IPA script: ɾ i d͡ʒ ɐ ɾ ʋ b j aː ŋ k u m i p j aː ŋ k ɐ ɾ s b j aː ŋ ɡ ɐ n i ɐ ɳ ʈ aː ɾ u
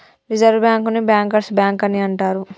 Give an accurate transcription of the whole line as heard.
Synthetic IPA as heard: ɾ i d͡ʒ ɐ ɾ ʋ b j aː ŋ k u n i b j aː ŋ k ɐ ɾ s b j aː ŋ k ɐ n i ɐ ɳ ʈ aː ɾ u

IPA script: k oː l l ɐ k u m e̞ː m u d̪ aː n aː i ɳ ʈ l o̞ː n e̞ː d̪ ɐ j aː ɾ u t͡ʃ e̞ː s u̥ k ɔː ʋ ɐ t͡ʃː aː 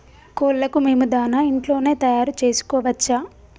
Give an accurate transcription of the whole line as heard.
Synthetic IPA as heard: k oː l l ɐ k u m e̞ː m u d̪ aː n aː i ɳ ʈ l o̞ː n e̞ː t̪ ɐ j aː ɾ u t͡ʃ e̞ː s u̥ k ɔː ʋ ɐ t͡ʃː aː

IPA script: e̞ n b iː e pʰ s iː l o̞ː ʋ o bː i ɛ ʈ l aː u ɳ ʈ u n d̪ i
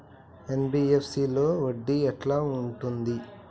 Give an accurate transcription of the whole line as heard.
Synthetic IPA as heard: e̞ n b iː e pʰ s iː l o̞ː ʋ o ɖː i ɛ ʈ l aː u ɳ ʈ u n d̪ i

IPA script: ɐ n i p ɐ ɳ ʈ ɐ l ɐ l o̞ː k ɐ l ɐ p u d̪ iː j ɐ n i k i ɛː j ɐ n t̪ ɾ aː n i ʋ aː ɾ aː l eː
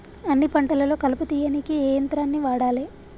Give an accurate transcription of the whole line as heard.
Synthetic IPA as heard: ɐ nː i p ɐ ɳ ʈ ɐ l ɐ l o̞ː k ɐ l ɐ p u t̪ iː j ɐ n i k i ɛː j ɐ n t̪ ɾ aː nː i ʋ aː ɽ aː l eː

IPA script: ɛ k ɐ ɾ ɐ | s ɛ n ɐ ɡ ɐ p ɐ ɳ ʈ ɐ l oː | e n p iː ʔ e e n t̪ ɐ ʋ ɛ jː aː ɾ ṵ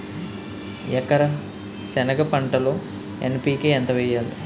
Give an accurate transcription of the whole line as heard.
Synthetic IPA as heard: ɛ k ɐ ɾ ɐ | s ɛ n ɐ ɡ ɐ p ɐ ɳ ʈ ɐ l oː | e n p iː k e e n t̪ ɐ ʋ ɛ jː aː l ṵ

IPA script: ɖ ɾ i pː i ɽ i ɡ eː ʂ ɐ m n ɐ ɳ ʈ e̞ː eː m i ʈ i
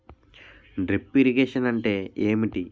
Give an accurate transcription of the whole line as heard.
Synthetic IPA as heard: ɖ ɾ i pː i ɾ i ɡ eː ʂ ɐ n ɐ ɳ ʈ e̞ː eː m i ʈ i

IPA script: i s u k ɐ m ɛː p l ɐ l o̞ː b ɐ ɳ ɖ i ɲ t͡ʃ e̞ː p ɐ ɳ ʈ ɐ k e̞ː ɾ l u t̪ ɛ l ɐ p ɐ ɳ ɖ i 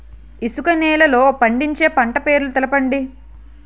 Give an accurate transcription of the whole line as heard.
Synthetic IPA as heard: i s u k ɐ n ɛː l ɐ l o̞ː p ɐ ɳ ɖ i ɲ t͡ʃ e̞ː p ɐ ɳ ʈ ɐ p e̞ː ɾ l u t̪ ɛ l ɐ p ɐ ɳ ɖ i

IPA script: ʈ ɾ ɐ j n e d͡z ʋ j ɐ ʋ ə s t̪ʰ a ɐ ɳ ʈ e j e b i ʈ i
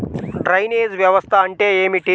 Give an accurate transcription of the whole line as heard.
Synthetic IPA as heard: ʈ ɾ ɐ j n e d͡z ʋ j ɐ ʋ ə s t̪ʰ a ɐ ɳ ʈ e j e m i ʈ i

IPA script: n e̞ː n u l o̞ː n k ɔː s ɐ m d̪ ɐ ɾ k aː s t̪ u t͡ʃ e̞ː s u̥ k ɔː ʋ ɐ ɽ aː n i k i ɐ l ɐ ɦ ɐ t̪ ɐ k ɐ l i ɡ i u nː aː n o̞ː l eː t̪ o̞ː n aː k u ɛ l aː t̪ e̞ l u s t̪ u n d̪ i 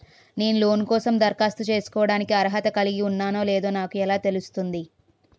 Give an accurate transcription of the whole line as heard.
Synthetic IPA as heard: n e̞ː n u l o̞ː n k ɔː s ɐ m d̪ ɐ ɾ k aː s t̪ u t͡ʃ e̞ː s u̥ k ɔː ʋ ɐ ɽ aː n i k i ɐ ɾ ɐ ɦ ɐ t̪ ɐ k ɐ l i ɡ i u nː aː n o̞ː l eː d̪ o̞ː n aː k u ɛ l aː t̪ e̞ l u s t̪ u n d̪ i

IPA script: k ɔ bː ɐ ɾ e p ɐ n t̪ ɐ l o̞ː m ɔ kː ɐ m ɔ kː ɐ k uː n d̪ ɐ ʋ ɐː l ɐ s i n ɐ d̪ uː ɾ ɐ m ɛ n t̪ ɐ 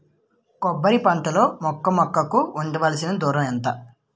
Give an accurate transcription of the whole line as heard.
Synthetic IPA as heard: k ɔ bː ɐ ɾ i p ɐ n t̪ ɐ l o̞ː m ɔ kː ɐ m ɔ kː ɐ k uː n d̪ ɐ ʋ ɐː l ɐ s i n ɐ d̪ uː ɾ ɐ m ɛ n t̪ ɐ

